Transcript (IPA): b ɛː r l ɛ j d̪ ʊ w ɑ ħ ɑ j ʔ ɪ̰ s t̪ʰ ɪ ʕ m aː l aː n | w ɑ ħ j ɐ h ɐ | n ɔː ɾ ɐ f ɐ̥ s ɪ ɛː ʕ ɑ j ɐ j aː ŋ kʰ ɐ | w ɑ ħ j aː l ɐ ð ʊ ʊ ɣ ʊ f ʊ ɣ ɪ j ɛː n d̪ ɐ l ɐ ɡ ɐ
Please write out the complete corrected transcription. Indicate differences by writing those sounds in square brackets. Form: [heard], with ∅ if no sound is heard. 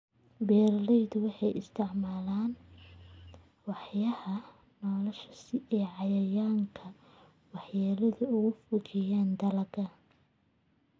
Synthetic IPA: b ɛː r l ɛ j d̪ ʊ w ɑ ħ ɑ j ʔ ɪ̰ s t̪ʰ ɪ ʕ m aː l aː n | w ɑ ħ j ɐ h ɐ | n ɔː [l] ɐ [ʃ] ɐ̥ s ɪ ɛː ʕ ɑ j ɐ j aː ŋ kʰ ɐ | w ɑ ħ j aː l ɐ ð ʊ ʊ ɣ ʊ f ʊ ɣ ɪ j [aː] n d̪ ɐ l ɐ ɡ ɐ